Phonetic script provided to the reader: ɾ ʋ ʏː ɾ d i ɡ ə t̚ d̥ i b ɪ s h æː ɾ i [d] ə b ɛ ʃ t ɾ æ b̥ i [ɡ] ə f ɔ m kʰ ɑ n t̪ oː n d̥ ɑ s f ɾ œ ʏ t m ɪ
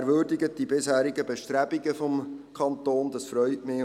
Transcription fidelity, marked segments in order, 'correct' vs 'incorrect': incorrect: ɡ, correct

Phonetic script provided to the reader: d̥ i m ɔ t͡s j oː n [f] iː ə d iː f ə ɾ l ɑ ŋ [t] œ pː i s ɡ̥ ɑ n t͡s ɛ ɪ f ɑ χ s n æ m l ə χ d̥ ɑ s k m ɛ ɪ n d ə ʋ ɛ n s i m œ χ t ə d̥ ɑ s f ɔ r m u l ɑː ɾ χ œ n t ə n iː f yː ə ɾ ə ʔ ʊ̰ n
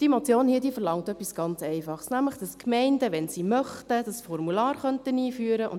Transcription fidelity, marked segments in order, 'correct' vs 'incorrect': incorrect: h, correct

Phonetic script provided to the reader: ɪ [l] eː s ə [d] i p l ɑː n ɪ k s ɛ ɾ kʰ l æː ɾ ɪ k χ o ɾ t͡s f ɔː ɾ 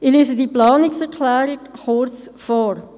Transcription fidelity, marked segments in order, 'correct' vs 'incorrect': correct, correct

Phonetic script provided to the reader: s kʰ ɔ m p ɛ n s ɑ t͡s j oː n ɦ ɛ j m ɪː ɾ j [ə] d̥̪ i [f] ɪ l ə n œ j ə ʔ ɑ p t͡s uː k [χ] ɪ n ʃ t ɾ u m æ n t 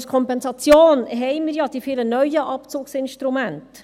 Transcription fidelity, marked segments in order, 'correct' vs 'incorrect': incorrect: ɑ, correct, incorrect: s

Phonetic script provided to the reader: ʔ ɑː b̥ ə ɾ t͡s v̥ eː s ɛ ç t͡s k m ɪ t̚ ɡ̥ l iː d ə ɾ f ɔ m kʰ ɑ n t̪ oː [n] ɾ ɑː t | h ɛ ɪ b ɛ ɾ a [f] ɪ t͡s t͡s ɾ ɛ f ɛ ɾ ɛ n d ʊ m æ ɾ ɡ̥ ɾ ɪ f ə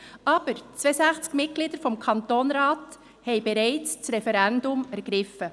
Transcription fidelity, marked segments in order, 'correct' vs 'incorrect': correct, incorrect: none

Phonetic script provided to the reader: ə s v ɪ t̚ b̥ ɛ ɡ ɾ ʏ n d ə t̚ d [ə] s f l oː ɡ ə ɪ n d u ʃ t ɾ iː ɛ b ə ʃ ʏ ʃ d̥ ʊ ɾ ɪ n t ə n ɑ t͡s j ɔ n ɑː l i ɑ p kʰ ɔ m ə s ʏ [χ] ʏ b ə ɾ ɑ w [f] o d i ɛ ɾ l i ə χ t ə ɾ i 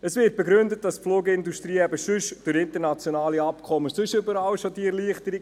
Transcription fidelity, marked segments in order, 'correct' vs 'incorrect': incorrect: ɑ, incorrect: ʃ, incorrect: ʃ

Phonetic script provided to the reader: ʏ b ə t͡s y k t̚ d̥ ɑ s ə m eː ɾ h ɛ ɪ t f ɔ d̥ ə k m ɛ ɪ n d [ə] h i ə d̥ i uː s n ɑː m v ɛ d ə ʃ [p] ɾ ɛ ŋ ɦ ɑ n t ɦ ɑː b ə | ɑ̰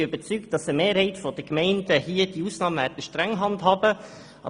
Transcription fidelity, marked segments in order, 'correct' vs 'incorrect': correct, incorrect: t

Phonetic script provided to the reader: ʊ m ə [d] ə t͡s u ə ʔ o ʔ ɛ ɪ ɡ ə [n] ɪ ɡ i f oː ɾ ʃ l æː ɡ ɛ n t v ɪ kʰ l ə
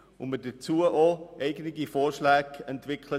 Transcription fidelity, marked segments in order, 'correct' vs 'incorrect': correct, correct

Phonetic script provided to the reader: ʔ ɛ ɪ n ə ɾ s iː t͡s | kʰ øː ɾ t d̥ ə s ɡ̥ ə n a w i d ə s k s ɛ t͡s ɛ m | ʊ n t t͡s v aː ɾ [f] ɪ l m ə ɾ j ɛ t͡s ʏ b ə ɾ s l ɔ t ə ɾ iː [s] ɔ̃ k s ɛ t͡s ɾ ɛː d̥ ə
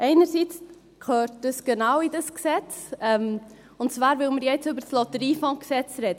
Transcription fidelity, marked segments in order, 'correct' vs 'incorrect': incorrect: v, incorrect: f

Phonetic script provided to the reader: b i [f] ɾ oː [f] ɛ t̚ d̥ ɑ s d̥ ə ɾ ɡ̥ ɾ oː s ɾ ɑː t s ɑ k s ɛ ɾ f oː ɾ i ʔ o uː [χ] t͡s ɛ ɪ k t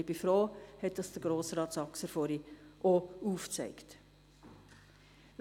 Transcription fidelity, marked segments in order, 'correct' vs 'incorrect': correct, incorrect: h, incorrect: f

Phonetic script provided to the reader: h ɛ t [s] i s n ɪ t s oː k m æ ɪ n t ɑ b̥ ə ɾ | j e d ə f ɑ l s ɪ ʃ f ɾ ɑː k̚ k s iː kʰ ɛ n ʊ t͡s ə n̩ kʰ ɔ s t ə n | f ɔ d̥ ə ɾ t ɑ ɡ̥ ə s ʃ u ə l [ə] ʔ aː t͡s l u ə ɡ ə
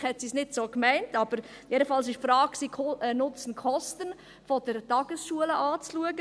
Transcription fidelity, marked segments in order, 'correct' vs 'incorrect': correct, correct

